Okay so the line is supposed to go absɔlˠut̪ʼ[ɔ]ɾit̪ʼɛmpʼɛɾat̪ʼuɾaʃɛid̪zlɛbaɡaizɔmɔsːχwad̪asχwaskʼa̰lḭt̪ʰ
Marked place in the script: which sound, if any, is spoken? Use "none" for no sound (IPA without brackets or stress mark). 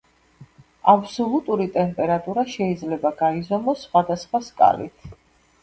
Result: u